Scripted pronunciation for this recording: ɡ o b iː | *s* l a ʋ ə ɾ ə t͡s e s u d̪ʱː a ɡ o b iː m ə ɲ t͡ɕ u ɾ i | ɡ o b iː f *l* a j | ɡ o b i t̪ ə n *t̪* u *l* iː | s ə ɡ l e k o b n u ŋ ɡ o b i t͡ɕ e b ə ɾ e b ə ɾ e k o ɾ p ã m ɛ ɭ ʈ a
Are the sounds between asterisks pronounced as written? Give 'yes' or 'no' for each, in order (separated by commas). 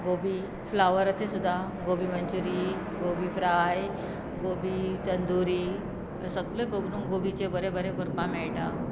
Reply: no, no, no, no